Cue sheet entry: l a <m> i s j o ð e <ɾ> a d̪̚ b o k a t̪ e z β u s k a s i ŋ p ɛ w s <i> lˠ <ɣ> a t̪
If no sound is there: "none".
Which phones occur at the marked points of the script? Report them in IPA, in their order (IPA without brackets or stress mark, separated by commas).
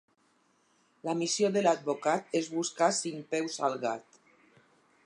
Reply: m, l, a, ɣ